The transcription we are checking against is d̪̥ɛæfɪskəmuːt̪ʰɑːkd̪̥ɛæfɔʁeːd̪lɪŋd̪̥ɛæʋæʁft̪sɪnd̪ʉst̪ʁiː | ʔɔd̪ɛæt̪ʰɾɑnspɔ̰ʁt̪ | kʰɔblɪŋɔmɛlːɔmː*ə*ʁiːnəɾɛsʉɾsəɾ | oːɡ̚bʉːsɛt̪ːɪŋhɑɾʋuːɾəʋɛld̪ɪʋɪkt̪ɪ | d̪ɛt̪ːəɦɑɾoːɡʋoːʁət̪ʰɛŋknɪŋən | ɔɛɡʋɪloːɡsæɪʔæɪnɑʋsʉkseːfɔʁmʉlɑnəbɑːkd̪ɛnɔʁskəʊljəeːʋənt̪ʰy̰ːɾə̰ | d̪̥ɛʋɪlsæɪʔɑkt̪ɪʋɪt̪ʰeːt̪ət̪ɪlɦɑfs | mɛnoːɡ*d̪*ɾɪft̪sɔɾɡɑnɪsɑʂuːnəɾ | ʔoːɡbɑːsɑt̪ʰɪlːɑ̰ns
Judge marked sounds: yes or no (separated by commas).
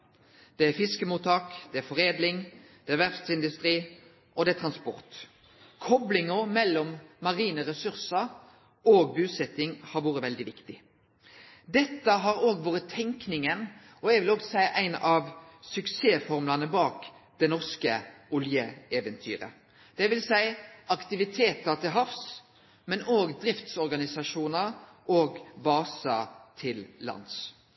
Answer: no, yes